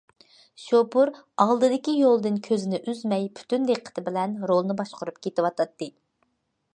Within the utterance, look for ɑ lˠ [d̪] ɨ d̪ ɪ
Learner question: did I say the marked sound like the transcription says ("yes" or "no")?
yes